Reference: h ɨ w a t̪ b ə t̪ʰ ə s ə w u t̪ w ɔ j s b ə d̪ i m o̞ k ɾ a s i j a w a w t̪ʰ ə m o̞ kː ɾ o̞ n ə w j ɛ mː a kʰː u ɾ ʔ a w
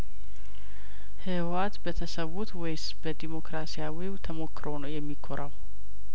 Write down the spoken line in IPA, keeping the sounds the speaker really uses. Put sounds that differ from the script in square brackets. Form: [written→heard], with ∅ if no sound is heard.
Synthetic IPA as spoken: h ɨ w a t̪ b ə t̪ʰ ə s ə w u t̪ w ɔ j s b ə d̪ i m o̞ k ɾ a s i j a w [a→i] w t̪ʰ ə m o̞ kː ɾ o̞ n ə w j ɛ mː [a→i] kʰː [u→o] ɾ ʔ a w